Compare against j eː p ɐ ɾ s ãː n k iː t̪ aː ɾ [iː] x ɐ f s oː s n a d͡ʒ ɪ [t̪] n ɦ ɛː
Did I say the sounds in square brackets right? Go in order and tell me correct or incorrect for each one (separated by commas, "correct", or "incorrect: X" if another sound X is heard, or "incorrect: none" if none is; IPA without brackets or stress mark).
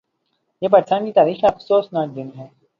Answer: correct, incorrect: none